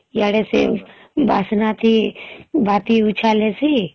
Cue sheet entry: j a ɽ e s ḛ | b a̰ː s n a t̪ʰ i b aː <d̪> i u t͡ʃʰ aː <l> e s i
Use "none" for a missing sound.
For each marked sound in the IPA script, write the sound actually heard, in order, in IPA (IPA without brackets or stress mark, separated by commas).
t̪, l